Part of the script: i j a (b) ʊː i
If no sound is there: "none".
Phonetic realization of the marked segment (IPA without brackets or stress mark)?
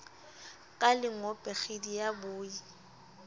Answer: b